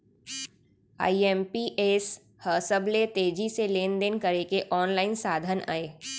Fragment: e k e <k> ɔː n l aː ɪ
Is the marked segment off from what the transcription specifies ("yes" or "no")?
yes